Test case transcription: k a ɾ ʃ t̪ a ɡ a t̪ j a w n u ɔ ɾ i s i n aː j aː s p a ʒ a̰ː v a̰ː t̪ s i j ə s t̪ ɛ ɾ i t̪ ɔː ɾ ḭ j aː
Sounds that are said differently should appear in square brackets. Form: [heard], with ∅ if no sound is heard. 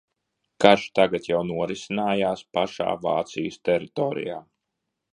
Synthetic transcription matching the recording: k a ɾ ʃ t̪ a ɡ a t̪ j a w n u ɔ ɾ i s i n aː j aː s p a [ʃ] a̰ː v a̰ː t̪ s i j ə s t̪ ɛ ɾ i t̪ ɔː ɾ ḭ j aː